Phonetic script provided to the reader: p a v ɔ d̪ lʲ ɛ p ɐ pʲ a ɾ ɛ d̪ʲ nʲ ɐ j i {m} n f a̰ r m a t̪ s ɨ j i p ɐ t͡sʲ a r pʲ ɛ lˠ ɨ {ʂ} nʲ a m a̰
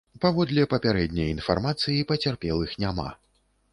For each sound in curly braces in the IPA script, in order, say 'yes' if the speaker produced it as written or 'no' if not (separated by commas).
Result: no, no